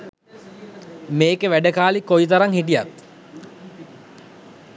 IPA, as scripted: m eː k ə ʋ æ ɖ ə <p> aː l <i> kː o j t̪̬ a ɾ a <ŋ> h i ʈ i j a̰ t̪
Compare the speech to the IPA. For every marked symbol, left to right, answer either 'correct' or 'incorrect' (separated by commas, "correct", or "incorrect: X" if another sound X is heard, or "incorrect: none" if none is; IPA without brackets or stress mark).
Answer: incorrect: k, correct, correct